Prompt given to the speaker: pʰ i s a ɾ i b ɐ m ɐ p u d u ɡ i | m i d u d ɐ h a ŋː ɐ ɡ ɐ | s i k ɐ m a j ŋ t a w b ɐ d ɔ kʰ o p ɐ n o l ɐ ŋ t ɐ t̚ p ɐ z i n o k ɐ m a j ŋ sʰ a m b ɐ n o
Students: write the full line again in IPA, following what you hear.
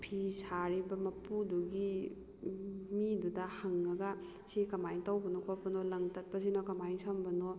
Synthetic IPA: pʰ i s a ɾ i b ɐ m ɐ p u d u ɡ i | m i d u d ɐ h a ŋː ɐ ɡ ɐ | s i k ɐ m a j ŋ t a w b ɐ n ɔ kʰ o p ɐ n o l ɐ ŋ t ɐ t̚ p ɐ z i n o k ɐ m a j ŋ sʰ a m b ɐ n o

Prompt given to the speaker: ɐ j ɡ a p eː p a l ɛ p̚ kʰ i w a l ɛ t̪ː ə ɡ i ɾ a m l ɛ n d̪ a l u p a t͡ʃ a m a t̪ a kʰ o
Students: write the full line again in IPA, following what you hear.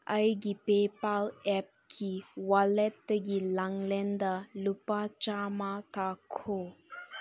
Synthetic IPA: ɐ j ɡ i p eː p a l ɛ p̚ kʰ i w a l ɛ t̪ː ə ɡ i l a ŋ l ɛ n d̪ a l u p a t͡ʃ a m a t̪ a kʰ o

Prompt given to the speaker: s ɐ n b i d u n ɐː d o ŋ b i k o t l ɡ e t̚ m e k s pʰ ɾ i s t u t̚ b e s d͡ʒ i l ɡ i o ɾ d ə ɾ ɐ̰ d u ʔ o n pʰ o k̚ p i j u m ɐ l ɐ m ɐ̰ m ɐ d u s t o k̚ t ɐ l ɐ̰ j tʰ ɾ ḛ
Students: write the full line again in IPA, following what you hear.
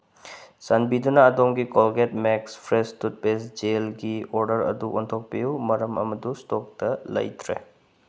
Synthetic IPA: s ɐ n b i d u n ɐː d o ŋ ɡ i k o l ɡ e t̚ m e k s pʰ ɾ e s t u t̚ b e s d͡ʒ e l ɡ i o ɾ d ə ɾ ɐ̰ d u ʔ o n tʰ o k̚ p i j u m ɐ ɾ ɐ m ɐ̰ m ɐ d u s t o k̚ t ɐ l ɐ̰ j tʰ ɾ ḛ

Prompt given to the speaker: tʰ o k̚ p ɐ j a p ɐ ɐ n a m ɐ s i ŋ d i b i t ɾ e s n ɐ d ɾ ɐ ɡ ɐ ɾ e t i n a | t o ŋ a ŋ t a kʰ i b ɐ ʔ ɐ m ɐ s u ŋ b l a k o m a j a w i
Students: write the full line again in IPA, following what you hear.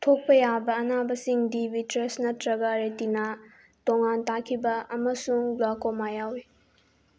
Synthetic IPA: tʰ o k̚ p ɐ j a b ɐ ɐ n a b ɐ s i ŋ d i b i t ɾ e s n ɐ t ɾ ɐ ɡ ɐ ɾ e t i n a | t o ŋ a n t a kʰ i b ɐ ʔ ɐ m ɐ s u ŋ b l a k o m a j a w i

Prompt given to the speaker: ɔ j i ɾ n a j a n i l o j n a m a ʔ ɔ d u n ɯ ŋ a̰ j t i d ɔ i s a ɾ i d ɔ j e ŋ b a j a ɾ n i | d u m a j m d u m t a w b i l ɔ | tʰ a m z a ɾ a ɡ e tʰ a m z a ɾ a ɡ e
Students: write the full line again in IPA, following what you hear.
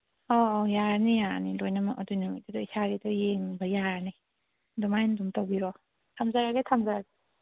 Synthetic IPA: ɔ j a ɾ n i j a n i l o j n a m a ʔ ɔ d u n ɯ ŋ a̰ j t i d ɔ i s a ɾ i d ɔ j e ŋ b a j a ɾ n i | d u m a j n d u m t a w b i ɾ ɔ | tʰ a m z a ɾ a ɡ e tʰ a m z a ɾ a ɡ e

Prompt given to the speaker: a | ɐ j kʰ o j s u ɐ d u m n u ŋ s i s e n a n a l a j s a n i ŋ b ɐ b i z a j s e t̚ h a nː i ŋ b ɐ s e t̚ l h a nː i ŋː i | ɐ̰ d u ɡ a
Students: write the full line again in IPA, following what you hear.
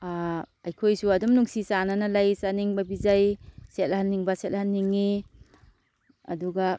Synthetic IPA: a | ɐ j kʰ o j s u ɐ d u m n u ŋ s i s a n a n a l a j s a n i ŋ b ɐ b i z a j s e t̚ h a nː i ŋ b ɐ s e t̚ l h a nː i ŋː i | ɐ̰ d u ɡ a

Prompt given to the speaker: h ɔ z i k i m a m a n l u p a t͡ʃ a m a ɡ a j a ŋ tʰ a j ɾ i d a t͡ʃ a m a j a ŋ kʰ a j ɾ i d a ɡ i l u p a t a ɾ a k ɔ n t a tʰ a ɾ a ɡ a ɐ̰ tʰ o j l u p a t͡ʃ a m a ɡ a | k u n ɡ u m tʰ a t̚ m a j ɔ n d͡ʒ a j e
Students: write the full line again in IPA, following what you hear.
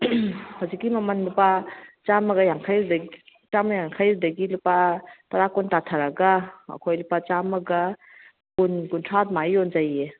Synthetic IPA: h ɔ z i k i m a m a n l u p a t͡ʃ a m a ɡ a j a ŋ kʰ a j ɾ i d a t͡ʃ a m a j a ŋ kʰ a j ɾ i d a ɡ i l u p a t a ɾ a k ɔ n t a tʰ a ɾ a ɡ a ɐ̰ kʰ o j l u p a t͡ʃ a m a ɡ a | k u n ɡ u n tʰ a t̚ m a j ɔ n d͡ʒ a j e

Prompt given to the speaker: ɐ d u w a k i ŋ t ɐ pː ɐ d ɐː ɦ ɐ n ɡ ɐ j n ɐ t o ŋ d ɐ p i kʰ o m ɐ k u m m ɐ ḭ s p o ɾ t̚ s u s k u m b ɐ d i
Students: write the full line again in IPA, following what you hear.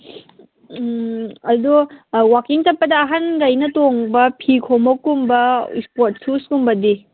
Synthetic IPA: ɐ d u w a k i ŋ t ɐ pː ɐ d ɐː ɦ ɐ n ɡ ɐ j n ɐ t o ŋ b ɐ pʰ i kʰ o m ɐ k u m b ɐ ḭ s p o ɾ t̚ s u s k u m b ɐ d i

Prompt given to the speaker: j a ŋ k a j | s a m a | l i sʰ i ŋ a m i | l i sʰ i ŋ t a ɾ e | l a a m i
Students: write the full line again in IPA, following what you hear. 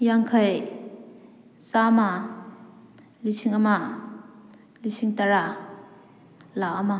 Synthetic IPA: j a ŋ kʰ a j | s a m a | l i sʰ i ŋ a m a | l i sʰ i ŋ t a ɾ a | l a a m a

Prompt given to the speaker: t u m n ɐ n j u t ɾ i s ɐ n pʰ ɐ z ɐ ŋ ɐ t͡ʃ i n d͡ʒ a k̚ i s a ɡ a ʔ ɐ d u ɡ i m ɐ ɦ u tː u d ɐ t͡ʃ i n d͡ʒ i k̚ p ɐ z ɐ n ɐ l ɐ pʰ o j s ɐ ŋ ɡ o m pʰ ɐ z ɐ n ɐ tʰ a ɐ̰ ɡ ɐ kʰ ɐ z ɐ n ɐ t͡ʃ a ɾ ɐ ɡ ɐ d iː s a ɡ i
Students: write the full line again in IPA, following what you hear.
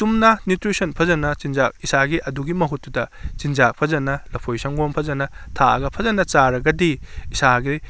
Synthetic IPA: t u m n ɐ n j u t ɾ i s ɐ n pʰ ɐ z ɐ n ɐ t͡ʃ i n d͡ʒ a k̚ i s a ɡ i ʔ ɐ d u ɡ i m ɐ ɦ u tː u d ɐ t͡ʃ i n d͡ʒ a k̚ pʰ ɐ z ɐ n ɐ l ɐ pʰ o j s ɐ ŋ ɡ o m pʰ ɐ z ɐ n ɐ tʰ a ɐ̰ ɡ ɐ pʰ ɐ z ɐ n ɐ t͡ʃ a ɾ ɐ ɡ ɐ d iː s a ɡ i

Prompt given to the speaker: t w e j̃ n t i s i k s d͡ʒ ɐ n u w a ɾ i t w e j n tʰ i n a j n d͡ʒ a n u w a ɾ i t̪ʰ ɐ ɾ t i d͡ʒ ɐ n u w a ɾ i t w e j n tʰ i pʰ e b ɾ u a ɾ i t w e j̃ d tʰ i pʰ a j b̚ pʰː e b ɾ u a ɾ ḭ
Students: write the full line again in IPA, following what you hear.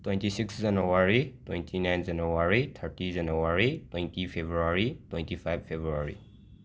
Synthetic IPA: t w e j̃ n t i s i k s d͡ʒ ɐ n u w a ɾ i t w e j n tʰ i n a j n d͡ʒ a n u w a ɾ i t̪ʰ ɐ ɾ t i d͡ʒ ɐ n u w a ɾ i t w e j n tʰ i pʰ e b ɾ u a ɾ i t w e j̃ n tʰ i pʰ a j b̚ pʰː e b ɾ u a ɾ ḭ

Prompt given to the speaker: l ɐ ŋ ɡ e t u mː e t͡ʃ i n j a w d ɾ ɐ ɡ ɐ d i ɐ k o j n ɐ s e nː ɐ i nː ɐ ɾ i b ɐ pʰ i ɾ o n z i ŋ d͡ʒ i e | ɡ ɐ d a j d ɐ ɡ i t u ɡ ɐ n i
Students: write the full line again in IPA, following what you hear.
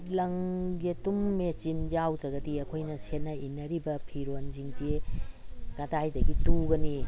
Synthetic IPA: l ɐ ŋ ɡ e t u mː e t͡ʃ i n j a w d ɾ ɐ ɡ ɐ d i ɐ kʰ o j n ɐ s e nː ɐ i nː ɐ ɾ i b ɐ pʰ i ɾ o n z i ŋ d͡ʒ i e | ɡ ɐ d a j d ɐ ɡ i t u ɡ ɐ n i

